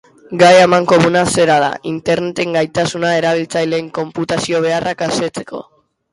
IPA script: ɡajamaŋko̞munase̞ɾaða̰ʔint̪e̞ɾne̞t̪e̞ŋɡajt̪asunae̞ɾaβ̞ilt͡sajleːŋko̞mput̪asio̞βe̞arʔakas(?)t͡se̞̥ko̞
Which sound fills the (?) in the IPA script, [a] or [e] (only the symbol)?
e